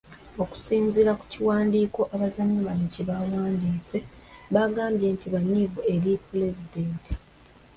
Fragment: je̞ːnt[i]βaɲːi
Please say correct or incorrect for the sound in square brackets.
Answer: correct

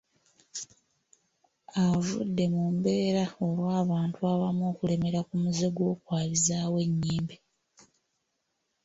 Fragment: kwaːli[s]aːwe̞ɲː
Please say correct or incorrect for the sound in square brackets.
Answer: incorrect: z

